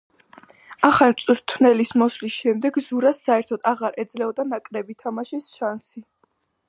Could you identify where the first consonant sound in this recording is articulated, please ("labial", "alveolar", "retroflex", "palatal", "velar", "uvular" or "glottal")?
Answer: uvular